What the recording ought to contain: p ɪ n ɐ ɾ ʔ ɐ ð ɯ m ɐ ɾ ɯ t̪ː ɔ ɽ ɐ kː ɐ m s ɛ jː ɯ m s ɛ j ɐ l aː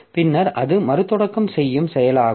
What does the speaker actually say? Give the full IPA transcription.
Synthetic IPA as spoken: p ɪ nː ɐ ɾ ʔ ɐ ð ɯ m ɐ ɾ ɯ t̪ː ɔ ɽ ɐ kː ɐ m s ɛ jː ɯ m s ɛ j ɐ l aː